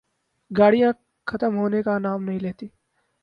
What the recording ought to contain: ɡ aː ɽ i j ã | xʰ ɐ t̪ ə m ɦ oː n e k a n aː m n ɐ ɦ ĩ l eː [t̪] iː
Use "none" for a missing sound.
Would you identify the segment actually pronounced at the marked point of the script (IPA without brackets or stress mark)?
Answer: t̪